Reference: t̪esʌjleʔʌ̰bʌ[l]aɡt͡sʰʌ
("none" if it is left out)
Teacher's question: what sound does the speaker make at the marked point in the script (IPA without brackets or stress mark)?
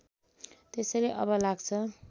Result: l